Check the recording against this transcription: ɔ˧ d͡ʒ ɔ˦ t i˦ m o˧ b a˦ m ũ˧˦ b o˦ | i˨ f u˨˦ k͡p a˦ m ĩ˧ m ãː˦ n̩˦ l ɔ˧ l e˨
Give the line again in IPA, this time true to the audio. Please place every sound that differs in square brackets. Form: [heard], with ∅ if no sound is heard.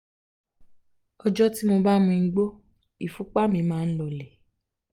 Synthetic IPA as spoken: ɔ˧ d͡ʒ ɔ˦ t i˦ m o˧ b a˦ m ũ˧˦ [ɡ͡b] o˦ | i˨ f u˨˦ k͡p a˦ m ĩ˧ m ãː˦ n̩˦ l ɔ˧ l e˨